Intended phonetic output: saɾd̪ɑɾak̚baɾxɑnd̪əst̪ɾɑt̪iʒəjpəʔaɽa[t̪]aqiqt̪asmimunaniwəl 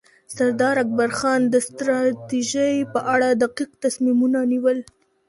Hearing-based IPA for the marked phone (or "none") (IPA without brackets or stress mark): d̪